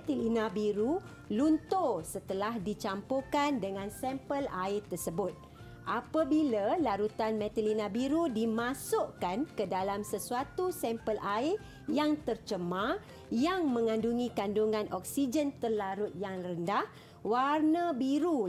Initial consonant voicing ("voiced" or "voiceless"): voiceless